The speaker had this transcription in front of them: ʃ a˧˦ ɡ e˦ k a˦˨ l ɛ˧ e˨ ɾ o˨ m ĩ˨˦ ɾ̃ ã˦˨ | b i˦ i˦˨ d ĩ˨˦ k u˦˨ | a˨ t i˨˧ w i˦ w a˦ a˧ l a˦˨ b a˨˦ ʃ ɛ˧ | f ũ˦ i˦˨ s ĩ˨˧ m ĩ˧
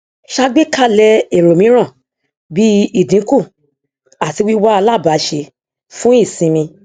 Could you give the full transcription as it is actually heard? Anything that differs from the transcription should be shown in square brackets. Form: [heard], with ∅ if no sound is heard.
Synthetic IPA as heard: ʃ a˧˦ [ɡ͡b] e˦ k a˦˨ l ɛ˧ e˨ ɾ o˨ m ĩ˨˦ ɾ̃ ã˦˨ | b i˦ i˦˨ d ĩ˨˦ k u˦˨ | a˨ t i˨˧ w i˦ w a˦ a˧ l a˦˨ b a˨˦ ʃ [e˧] | f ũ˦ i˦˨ s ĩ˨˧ m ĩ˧